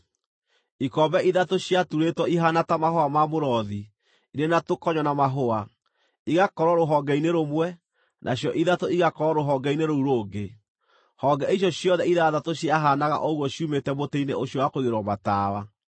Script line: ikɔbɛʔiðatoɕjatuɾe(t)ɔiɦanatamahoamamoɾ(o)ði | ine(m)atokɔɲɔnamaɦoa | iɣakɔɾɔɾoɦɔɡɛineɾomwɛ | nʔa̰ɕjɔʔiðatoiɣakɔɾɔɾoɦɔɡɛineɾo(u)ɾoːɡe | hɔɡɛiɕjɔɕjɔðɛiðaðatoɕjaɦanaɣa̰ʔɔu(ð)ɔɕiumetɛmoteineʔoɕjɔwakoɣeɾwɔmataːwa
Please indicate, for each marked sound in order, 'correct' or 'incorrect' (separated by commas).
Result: correct, incorrect, incorrect, correct, incorrect